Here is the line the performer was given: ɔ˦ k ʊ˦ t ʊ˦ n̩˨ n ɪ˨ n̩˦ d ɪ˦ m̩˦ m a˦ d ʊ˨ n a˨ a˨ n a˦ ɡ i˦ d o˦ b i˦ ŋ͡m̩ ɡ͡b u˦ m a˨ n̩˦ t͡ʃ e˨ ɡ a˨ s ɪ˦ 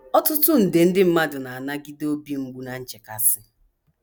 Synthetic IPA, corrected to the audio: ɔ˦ t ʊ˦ t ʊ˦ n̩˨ d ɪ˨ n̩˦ d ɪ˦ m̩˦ m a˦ d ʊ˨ n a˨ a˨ n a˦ ɡ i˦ d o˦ b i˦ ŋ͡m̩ ɡ͡b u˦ n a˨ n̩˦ t͡ʃ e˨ k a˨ s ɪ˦